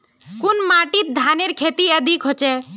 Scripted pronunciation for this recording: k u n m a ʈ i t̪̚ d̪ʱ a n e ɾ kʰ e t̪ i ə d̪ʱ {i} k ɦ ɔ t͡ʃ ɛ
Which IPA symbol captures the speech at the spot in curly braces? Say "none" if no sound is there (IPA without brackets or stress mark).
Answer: i